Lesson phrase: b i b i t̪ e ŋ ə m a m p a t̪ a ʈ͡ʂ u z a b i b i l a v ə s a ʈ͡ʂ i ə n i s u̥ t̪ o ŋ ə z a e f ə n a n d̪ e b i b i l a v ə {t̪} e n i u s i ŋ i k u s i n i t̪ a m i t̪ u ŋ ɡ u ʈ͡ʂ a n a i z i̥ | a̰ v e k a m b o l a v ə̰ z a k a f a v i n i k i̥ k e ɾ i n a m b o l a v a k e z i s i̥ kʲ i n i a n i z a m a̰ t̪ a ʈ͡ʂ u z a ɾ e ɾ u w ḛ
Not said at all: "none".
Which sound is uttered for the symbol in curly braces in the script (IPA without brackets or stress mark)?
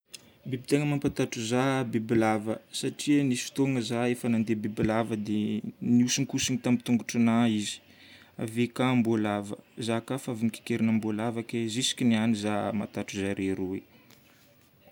d̪